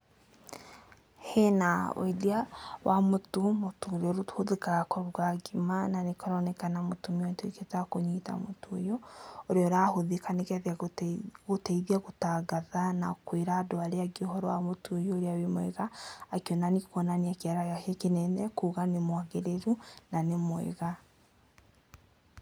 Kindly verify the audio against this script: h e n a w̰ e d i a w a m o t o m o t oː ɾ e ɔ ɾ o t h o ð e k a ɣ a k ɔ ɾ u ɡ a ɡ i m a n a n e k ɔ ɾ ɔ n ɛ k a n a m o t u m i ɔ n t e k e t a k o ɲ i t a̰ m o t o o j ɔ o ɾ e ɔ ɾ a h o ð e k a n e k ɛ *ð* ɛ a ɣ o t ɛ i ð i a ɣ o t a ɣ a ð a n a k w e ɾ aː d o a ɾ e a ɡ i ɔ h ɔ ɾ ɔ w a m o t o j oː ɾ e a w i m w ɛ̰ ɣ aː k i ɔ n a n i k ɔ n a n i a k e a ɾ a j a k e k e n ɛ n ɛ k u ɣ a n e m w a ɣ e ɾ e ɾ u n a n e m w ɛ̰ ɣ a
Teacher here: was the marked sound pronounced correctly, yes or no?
yes